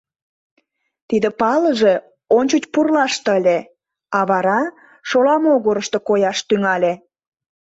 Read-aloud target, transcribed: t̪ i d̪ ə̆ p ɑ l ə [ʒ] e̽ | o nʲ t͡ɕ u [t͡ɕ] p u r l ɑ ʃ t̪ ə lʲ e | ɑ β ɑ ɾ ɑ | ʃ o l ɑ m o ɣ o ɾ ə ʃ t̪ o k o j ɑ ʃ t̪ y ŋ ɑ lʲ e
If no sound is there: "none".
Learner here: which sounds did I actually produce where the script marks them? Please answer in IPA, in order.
ʒ, t͡ɕ

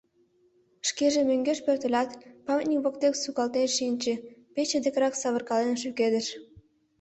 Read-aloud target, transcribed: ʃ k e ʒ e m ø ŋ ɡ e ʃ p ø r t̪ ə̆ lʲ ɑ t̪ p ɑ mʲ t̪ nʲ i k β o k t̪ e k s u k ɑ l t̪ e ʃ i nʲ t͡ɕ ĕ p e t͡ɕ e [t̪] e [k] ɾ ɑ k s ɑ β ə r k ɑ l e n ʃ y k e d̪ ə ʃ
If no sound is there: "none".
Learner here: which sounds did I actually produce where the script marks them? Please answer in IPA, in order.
d̪, k

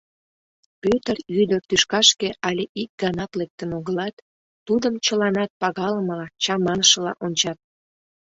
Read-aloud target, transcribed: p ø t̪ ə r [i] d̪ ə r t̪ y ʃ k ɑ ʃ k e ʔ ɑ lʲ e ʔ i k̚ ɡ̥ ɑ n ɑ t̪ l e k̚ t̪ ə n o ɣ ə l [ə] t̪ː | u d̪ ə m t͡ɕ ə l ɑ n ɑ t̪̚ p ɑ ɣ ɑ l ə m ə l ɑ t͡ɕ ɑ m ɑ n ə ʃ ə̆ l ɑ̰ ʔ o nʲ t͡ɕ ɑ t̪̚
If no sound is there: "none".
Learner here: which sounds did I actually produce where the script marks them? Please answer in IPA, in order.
y, ɑ

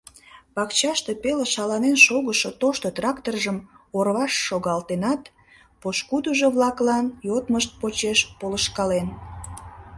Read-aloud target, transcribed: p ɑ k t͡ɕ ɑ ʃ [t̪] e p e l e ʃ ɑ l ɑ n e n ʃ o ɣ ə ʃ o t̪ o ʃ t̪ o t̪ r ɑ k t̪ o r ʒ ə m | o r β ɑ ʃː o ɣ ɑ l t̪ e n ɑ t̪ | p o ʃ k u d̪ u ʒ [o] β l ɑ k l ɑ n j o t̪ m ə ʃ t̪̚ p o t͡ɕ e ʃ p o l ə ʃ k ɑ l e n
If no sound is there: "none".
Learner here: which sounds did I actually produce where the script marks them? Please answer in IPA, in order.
t̪, o

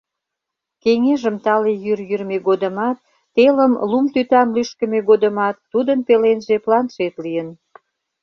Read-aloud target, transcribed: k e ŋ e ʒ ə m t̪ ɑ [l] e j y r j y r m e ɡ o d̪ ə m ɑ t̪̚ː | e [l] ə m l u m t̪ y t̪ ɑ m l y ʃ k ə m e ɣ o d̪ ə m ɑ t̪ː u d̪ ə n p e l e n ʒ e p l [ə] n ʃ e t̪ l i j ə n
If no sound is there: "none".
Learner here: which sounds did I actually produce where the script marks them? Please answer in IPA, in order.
l, l, ɑ

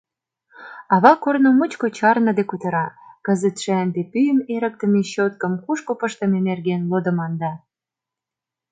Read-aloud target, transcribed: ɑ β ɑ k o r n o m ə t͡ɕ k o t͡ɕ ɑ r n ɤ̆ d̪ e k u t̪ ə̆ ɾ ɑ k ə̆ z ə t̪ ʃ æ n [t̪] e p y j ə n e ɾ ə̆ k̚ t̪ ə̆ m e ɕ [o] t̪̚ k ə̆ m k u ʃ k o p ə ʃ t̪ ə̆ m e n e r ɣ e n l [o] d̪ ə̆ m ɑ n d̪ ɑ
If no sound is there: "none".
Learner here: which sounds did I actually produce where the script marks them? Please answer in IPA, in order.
d̪, o, o

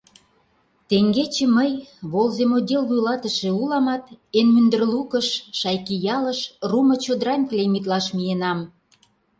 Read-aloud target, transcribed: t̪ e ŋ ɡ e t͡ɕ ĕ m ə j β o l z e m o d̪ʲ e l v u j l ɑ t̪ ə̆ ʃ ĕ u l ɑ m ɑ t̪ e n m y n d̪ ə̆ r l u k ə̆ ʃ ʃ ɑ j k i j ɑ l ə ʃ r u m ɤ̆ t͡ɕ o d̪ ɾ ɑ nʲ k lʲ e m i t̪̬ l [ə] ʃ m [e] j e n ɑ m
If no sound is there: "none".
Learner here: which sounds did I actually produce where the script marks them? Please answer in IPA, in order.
ɑ, i

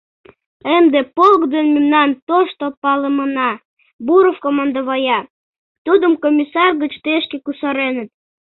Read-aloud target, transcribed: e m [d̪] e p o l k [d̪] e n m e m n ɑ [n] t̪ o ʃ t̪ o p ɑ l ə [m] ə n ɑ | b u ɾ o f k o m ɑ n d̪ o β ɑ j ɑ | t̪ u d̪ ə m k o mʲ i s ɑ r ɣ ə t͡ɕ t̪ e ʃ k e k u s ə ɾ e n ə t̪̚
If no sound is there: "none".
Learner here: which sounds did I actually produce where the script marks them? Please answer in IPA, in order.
d̪, d̪, n, m

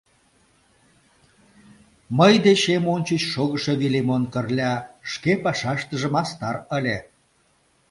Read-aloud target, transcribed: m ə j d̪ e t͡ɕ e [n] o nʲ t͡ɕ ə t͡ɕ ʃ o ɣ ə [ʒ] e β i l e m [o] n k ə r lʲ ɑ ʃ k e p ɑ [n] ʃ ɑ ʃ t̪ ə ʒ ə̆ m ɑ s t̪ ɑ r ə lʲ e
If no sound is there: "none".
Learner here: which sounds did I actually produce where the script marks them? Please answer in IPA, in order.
m, ʃ, o, none

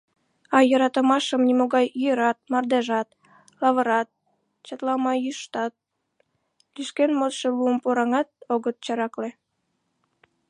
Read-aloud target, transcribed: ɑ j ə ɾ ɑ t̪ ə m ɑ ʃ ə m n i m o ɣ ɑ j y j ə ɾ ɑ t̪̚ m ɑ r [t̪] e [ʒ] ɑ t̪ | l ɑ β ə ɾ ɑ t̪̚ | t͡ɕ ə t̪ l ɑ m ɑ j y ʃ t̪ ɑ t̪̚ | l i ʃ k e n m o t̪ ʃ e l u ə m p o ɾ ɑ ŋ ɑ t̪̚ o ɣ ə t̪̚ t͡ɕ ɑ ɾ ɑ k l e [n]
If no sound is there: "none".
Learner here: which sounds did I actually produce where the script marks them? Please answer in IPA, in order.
d̪, ʒ, none

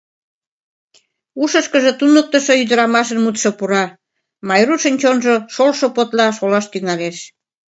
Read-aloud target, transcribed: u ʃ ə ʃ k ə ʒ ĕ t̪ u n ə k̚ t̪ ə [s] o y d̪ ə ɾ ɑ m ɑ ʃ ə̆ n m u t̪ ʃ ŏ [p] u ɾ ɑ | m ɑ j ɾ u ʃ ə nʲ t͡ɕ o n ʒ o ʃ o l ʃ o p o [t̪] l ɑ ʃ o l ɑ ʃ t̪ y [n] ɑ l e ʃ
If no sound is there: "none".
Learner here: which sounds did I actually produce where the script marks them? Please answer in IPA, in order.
ʃ, p, t̪, ŋ

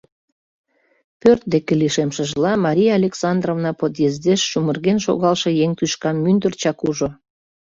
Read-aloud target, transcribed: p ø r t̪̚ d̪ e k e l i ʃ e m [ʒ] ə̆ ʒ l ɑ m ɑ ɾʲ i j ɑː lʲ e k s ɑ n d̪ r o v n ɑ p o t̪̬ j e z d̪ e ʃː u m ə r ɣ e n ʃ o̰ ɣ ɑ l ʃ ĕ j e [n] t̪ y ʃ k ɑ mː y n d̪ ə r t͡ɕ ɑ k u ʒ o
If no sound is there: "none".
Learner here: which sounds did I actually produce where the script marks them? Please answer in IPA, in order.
ʃ, ŋ

